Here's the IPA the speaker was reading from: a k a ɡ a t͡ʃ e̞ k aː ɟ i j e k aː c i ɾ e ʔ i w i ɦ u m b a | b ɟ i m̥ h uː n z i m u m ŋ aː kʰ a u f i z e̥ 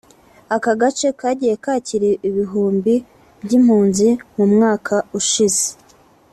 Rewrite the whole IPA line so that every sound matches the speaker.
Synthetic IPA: a k a ɡ a t͡ʃ e̞ k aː ɟ i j e k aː c i ɾ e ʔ i β i ɦ uː m b i | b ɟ i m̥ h uː n z i m u m ŋ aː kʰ a u ʃ i z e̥